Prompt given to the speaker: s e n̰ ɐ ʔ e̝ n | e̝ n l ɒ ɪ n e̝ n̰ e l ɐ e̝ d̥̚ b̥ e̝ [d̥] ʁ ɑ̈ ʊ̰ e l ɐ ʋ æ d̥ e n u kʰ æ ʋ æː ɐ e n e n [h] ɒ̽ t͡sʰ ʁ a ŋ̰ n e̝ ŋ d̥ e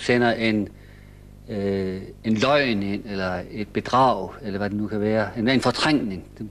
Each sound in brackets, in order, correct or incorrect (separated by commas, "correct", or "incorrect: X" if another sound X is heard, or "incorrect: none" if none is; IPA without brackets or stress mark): correct, incorrect: f